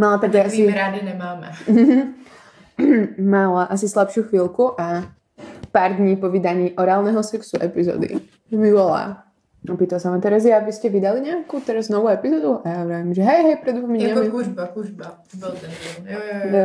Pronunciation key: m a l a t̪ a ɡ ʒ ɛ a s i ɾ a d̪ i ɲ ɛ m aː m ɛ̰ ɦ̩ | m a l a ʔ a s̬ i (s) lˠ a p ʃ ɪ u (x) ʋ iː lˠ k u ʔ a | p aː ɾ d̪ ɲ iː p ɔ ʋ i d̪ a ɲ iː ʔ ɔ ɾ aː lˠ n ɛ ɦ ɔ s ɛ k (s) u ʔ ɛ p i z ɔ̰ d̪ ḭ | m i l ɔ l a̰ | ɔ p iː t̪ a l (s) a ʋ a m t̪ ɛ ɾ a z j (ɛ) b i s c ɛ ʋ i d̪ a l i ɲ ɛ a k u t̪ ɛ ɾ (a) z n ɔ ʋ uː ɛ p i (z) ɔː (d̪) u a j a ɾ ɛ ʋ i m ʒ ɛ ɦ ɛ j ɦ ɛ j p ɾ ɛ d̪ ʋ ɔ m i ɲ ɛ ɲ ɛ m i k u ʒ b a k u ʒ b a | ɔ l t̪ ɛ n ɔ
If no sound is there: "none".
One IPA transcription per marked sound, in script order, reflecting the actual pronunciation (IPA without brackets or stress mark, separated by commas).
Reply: s, x, s, s, a, a, z, d̪